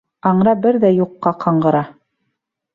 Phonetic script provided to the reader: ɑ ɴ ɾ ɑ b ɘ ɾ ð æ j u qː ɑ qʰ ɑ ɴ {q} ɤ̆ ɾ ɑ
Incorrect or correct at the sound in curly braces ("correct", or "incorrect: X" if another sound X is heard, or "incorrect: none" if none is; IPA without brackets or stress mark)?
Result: incorrect: ɢ